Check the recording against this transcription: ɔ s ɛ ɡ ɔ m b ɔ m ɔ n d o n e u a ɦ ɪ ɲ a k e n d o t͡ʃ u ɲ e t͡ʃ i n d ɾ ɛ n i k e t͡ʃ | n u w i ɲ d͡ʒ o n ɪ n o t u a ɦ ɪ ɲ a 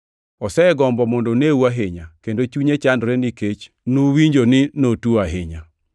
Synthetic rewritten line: ɔ s ɛ ɡ ɔ m b ɔ m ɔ n d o n e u a ɦ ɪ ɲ a k e n d o t͡ʃ u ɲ e t͡ʃ a n d ɾ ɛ n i k e t͡ʃ | n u w i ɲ d͡ʒ o n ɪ n o t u a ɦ ɪ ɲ a